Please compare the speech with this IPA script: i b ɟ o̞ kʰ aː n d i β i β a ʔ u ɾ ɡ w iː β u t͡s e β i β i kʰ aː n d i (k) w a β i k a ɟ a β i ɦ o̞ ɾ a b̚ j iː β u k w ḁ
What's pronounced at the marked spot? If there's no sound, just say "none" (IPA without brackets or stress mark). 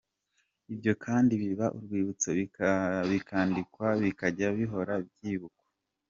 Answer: k